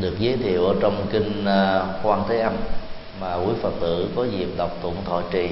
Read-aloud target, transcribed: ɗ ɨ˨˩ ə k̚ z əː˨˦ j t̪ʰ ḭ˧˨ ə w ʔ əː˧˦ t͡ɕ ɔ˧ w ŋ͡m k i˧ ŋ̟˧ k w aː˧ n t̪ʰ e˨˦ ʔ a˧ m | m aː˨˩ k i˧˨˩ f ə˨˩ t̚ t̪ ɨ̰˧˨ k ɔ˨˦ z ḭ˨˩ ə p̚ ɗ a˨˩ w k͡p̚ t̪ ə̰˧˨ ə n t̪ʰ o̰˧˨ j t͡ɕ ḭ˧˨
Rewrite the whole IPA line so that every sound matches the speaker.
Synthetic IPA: ɗ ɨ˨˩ ə k̚ z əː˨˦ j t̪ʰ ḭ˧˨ ə w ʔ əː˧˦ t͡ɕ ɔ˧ w ŋ͡m k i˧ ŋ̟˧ k w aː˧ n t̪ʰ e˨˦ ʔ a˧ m | m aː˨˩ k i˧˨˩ f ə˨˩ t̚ t̪ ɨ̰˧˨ k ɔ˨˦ z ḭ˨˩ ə p̚ ɗ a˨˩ w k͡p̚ t̪ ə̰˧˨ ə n t̪ʰ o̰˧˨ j t͡ɕ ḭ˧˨